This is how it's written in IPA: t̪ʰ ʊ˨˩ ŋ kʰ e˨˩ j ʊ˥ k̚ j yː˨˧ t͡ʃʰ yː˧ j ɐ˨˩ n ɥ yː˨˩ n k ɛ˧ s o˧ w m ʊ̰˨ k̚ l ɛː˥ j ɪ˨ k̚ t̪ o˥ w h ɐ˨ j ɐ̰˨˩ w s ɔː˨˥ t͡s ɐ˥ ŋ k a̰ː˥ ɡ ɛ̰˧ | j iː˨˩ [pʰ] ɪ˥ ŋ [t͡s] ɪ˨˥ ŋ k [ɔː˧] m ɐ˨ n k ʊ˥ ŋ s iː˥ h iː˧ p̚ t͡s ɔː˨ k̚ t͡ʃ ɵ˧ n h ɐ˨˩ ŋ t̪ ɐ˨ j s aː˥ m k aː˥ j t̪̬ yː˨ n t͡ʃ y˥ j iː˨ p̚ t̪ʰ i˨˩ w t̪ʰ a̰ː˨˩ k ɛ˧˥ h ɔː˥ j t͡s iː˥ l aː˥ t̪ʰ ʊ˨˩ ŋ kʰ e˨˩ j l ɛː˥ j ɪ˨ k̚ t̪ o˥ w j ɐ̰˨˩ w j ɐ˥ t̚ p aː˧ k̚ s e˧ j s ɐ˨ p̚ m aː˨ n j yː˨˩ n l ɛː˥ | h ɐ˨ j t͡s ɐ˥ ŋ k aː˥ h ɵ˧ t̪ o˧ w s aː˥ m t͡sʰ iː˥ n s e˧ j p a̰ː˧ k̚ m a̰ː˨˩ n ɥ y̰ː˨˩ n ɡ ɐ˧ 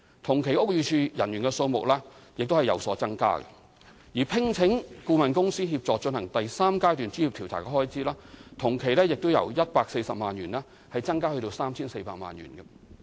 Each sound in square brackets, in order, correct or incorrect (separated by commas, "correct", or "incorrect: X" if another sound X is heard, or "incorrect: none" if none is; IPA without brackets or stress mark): correct, incorrect: t͡sʰ, incorrect: uː˧